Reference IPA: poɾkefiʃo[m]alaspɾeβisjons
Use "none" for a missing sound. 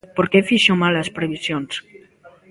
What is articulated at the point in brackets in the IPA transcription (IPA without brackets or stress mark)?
m